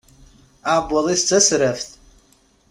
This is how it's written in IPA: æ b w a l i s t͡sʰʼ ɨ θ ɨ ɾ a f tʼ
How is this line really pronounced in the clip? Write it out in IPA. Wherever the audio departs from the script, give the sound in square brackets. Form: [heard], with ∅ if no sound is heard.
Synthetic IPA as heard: [a] b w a l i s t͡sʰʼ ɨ [s] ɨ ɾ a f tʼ